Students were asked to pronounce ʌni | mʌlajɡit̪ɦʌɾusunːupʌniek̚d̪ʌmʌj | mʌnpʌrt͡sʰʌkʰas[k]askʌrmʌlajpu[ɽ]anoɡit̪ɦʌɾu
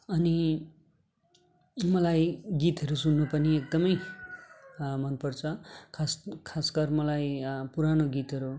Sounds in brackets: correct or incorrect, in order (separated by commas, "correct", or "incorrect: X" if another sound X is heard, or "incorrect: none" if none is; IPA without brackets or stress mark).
incorrect: kʰ, incorrect: ɾ